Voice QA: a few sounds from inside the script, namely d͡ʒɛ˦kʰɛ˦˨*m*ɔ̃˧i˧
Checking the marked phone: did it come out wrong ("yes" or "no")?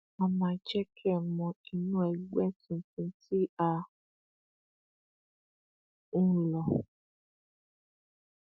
no